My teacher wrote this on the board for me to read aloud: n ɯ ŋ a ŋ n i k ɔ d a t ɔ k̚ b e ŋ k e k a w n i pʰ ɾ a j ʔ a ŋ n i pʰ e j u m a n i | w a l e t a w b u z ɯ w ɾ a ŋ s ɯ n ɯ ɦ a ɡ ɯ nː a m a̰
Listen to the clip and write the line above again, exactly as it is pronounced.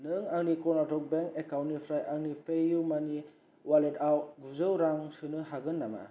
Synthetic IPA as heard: n ɯ ŋ a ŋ n i k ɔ n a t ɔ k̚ b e ŋ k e k a w n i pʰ ɾ a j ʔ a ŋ n i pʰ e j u m a n i | w a l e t a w ɡ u z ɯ w ɾ a ŋ s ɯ n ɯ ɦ a ɡ ɯ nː a m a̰